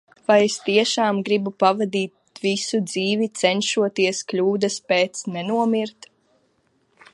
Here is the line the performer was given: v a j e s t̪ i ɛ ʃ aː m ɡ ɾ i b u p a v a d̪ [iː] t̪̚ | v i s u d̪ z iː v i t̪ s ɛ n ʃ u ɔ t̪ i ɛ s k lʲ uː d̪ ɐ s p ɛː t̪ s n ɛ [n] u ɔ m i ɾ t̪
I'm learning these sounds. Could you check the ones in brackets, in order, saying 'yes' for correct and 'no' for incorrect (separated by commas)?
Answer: yes, yes